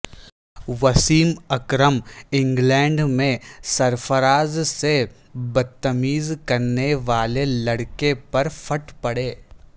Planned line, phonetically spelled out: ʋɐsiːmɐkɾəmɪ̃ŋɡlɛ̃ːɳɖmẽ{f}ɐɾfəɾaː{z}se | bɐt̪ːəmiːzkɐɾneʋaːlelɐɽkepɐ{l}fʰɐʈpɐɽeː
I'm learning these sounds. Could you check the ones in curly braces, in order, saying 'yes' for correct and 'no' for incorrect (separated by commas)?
no, yes, no